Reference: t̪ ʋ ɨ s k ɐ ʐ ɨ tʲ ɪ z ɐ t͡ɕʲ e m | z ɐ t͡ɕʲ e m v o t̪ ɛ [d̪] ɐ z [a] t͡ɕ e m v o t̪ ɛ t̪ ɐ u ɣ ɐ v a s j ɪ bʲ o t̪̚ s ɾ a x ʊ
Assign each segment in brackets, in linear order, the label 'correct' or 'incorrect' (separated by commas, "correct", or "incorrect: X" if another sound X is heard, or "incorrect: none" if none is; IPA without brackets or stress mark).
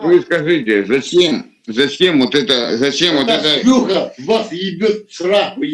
incorrect: t̪, incorrect: ɐ